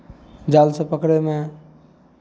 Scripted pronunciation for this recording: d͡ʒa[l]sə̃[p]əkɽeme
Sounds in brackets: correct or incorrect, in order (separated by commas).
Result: correct, correct